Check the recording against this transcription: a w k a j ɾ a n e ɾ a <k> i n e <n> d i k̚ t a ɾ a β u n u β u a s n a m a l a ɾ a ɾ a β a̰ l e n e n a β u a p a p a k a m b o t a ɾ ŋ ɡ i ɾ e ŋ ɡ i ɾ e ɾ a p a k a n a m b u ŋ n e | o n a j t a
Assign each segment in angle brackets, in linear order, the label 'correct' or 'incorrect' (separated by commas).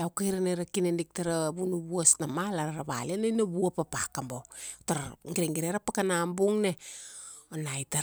correct, correct